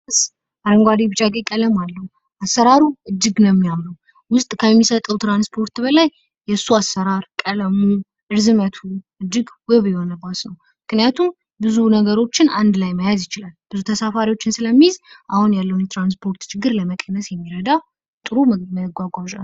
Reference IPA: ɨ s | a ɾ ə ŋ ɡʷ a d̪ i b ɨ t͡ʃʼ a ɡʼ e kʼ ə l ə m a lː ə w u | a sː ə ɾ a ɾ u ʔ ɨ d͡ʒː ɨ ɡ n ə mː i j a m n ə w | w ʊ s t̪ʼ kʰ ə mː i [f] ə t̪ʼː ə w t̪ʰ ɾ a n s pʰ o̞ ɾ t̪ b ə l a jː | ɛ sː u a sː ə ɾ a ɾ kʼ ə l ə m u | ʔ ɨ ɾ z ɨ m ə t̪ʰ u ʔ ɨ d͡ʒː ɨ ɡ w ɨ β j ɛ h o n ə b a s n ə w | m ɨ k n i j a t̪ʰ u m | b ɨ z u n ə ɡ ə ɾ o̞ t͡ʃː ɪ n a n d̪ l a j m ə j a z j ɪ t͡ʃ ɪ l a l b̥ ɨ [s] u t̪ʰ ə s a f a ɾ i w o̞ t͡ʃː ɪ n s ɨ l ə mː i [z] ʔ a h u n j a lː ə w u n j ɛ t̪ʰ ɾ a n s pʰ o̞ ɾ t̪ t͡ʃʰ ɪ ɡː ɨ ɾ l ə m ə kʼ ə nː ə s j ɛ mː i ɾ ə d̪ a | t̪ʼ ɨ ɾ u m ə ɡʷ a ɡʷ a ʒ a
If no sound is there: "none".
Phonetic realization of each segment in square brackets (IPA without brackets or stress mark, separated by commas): s, z, z